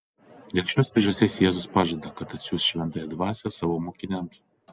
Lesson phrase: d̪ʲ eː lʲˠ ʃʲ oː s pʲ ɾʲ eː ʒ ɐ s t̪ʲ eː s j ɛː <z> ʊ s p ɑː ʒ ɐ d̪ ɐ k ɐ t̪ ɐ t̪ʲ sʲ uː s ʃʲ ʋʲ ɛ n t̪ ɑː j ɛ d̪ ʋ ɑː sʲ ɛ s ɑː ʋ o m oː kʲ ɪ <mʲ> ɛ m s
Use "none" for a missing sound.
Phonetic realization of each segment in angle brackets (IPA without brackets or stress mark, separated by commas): z, nʲ